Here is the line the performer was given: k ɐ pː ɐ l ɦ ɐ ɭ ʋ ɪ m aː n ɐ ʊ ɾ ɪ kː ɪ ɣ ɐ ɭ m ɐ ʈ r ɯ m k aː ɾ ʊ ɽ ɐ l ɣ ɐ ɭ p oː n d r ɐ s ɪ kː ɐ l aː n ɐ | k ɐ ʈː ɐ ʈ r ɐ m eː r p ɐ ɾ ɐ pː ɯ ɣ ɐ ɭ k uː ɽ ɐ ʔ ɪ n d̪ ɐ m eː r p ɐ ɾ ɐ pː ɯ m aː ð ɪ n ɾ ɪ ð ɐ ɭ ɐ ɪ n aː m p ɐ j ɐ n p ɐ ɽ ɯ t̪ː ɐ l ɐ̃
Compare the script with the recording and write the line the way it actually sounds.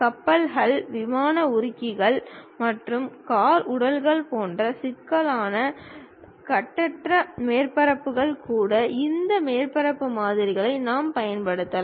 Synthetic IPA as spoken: k ɐ pː ɐ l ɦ ɐ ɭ ʋ ɪ m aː n ɐ ʊ ɾ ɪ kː ɪ ɣ ɐ ɭ m ɐ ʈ r ɯ m k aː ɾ ʊ ɽ ɐ l ɣ ɐ ɭ p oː n d r ɐ s ɪ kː ɐ l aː n ɐ | k ɐ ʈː ɐ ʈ r ɐ m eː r p ɐ ɾ ɐ pː ɯ ɣ ɐ ɭ k uː ɽ ɐ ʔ ɪ n d̪ ɐ m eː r p ɐ ɾ ɐ pː ɯ m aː ð ɪ ɾ ɪ ɣ ɐ ɭ ɐ ɪ n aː m p ɐ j ɐ n p ɐ ɽ ɯ t̪ː ɐ l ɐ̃

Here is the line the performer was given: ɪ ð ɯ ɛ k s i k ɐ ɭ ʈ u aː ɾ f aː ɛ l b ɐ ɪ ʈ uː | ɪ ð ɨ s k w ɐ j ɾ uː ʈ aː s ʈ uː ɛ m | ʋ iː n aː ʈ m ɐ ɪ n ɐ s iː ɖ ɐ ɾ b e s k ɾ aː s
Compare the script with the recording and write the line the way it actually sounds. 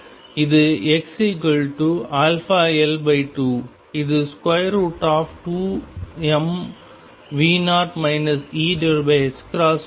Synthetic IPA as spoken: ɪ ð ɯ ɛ k s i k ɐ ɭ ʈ u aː l f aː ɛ l b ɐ ɪ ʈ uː | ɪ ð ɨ s k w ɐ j ɾ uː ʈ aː f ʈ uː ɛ m | ʋ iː n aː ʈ m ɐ ɪ n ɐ s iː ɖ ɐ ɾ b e s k ɾ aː s

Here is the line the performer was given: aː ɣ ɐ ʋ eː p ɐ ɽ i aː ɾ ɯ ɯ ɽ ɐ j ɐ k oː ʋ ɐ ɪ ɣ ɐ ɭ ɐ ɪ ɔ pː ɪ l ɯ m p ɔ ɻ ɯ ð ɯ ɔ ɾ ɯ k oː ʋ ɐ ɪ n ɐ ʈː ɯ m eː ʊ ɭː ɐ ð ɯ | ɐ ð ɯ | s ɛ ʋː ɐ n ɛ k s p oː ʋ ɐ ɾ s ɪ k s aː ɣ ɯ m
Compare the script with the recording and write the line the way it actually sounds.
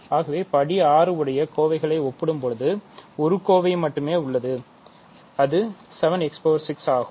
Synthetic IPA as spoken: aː ɣ ɐ ʋ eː p ɐ ɽ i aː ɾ ɯ ɯ ɽ ɐ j ɐ k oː ʋ ɐ ɪ ɣ ɐ ɭ ɐ ɪ ɔ pː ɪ ɽ ɯ m p ɔ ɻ ɯ ð ɯ ɔ ɾ ɯ k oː ʋ ɐ ɪ m ɐ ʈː ɯ m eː ʊ ɭː ɐ ð ɯ | ɐ ð ɯ | s ɛ ʋ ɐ n ɛ k s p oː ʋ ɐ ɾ s ɪ k s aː ɣ ɯ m

